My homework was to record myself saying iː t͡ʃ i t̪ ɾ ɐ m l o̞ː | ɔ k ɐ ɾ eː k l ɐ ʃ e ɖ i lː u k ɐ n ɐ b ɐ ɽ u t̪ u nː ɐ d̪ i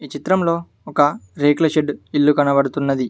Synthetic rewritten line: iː t͡ʃ i t̪ ɾ ɐ m l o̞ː | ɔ k ɐ ɾ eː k l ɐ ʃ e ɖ i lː u k ɐ n ɐ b ɐ ɽ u t̪ u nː ɐ d̪ i